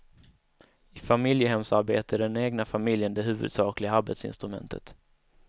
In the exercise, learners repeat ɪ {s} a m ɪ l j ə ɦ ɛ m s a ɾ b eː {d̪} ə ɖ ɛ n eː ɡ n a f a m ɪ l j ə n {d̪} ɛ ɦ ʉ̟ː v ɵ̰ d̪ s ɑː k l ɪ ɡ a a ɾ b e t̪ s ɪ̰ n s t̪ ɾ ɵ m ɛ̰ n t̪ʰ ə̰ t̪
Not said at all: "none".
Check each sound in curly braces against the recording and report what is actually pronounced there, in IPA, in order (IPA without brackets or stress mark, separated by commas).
f, t̪, d̪